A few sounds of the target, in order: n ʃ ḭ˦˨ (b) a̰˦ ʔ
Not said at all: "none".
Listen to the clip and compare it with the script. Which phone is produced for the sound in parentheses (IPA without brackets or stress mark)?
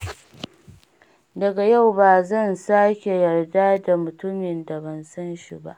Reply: b